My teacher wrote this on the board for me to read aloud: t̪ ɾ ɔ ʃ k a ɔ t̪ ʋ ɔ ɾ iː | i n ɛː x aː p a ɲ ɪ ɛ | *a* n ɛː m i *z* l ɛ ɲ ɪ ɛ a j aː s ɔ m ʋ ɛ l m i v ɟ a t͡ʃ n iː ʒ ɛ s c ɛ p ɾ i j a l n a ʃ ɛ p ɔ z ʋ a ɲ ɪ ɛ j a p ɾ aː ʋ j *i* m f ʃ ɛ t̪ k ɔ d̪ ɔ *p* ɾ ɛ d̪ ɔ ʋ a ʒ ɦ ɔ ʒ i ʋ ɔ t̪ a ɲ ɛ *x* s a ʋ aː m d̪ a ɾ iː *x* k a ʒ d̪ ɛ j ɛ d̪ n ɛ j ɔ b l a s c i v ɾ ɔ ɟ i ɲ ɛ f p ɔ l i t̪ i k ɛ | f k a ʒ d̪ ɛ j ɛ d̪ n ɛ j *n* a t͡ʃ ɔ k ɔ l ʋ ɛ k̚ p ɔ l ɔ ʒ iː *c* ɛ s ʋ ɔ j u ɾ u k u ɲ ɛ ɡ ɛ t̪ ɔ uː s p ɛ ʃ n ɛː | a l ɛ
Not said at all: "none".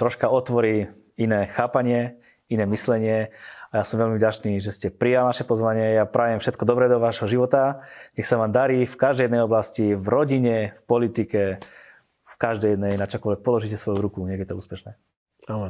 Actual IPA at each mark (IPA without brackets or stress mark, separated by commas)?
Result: i, s, ɛ, b, x, f, n, c